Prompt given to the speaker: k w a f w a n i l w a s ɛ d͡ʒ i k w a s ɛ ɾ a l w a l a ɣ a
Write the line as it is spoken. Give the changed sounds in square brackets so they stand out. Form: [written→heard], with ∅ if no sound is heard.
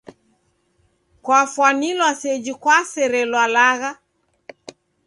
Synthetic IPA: k w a f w a n i l w a s ɛ d͡ʒ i k w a s ɛ ɾ [a→ɛ] l w a l a ɣ a